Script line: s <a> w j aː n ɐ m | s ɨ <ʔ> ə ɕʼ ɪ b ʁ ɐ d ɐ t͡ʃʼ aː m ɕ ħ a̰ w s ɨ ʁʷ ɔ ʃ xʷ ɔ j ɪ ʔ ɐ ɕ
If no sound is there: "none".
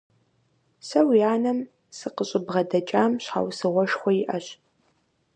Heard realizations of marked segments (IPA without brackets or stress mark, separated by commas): ɐ, q